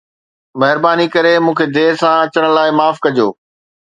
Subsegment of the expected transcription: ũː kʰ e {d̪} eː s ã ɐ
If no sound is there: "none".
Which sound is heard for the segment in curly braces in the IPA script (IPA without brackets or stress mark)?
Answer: d̪